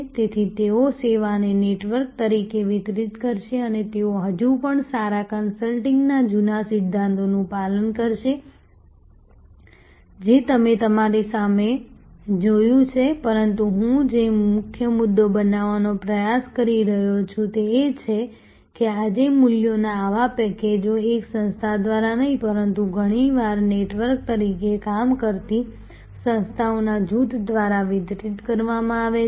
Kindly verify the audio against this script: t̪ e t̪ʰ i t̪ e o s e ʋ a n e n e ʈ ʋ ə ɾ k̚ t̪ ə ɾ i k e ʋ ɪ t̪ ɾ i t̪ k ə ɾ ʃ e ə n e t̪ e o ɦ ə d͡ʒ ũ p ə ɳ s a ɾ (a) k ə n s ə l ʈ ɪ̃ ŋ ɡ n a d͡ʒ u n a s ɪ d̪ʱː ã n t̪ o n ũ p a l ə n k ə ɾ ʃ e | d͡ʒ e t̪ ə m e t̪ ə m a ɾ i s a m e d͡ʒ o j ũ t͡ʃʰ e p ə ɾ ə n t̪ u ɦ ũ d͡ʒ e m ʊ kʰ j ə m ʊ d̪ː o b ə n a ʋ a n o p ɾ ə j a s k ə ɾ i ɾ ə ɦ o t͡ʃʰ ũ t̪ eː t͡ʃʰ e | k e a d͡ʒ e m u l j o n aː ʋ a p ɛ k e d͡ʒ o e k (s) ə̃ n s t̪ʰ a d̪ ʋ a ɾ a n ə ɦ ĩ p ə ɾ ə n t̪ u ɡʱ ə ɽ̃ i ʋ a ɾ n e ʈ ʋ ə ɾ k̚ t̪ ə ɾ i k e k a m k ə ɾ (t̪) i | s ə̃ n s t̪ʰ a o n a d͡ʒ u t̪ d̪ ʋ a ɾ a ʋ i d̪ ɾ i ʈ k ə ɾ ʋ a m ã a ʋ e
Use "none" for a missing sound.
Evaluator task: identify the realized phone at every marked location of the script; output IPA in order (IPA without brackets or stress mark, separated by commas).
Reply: a, s, t̪